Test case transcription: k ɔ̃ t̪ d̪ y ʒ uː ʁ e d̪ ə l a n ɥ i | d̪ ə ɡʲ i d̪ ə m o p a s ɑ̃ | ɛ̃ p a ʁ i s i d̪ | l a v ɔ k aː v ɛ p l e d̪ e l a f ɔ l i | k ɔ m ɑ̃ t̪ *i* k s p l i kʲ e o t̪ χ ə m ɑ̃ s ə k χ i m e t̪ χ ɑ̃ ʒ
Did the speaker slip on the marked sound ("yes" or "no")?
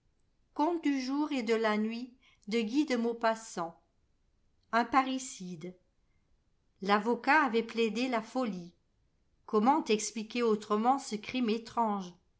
yes